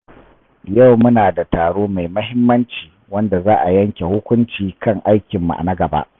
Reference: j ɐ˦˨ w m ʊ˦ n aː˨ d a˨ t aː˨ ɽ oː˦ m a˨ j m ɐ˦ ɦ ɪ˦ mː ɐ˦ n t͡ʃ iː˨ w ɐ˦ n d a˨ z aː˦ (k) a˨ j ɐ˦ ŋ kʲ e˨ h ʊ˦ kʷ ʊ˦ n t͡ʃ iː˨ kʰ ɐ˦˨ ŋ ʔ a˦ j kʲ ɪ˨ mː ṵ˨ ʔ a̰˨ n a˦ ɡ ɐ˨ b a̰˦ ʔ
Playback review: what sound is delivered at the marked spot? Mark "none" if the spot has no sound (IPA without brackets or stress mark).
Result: ʔ